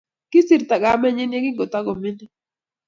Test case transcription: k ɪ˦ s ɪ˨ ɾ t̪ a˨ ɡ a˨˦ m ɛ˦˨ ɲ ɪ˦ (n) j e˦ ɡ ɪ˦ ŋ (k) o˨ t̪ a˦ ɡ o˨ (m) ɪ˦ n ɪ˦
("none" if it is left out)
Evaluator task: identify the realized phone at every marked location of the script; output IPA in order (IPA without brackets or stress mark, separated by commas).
n, ɡ, m